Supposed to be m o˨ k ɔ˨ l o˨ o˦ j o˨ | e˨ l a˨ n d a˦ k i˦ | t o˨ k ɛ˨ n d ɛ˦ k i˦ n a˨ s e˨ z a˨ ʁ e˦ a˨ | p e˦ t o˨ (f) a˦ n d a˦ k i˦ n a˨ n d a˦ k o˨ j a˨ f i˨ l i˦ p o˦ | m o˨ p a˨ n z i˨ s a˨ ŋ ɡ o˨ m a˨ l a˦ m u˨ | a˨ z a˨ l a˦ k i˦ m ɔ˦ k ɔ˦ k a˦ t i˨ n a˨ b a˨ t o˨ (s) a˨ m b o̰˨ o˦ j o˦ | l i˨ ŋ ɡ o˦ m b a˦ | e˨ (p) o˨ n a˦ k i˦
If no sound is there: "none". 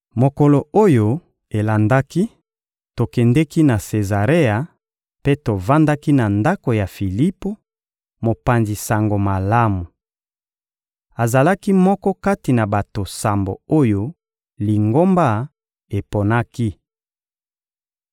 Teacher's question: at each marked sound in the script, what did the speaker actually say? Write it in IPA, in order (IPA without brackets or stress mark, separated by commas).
v, s, p